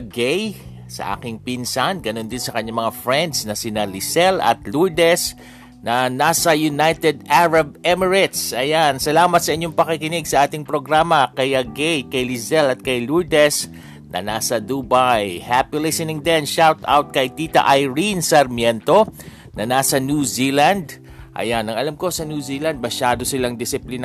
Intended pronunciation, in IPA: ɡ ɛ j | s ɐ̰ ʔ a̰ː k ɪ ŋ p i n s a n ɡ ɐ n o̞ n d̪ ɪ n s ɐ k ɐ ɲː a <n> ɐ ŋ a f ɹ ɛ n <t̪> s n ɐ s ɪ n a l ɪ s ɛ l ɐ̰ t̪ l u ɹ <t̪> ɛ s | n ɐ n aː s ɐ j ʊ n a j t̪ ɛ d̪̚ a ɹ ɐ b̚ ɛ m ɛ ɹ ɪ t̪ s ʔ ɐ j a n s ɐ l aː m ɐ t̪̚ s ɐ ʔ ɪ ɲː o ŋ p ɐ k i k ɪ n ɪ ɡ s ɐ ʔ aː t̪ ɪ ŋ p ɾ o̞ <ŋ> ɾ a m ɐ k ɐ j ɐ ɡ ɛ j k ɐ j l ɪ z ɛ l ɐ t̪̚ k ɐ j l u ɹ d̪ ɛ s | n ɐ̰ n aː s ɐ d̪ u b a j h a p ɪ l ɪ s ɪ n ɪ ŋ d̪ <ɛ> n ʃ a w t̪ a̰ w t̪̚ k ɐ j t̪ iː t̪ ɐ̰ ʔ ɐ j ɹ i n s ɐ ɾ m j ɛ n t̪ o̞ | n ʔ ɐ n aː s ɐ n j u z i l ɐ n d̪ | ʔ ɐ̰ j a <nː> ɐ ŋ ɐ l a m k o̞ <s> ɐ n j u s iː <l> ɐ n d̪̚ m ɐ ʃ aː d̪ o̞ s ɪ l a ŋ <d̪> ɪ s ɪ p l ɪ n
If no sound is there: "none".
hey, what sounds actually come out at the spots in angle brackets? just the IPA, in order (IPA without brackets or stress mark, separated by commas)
m, d̪, d̪, ɡ, ɛ, n, s, l, d̪